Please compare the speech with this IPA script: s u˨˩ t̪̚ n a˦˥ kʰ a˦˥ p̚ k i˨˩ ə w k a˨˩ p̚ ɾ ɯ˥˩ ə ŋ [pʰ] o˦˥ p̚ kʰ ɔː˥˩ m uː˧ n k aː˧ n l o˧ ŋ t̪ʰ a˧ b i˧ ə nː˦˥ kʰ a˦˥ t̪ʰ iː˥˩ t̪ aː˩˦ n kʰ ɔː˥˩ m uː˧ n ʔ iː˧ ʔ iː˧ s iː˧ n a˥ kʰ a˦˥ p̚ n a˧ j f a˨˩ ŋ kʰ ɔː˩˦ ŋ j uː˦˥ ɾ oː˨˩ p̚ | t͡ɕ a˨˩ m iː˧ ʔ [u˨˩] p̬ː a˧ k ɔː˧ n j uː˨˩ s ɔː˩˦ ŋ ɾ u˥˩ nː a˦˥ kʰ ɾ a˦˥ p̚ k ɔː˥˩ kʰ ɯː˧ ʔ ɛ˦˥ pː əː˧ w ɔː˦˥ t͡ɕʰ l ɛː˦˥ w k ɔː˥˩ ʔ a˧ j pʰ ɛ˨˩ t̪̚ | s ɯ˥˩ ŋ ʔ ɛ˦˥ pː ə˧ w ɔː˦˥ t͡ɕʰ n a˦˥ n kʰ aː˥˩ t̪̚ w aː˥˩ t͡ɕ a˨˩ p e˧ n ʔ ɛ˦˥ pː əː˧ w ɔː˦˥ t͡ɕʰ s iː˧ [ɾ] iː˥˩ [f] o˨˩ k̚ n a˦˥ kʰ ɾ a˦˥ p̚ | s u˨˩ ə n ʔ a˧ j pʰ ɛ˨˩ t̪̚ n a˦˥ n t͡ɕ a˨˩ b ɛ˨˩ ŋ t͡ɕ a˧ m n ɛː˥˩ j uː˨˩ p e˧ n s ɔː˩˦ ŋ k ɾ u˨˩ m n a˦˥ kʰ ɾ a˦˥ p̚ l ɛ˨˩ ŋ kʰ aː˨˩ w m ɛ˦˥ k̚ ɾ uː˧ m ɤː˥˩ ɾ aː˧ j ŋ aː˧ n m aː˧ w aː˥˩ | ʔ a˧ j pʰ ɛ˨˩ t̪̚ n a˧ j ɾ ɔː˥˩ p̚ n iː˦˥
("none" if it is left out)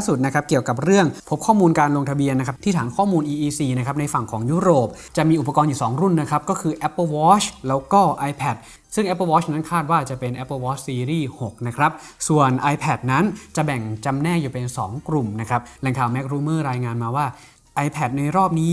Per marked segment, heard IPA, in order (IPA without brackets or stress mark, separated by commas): pʰ, u˨˩, ɾ, h